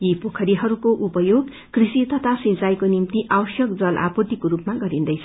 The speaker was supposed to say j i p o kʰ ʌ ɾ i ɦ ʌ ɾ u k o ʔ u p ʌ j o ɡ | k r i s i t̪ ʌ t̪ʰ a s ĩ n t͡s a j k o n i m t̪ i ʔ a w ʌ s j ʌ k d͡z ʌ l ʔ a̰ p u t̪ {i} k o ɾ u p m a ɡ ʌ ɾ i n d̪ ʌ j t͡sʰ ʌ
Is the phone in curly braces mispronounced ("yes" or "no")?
no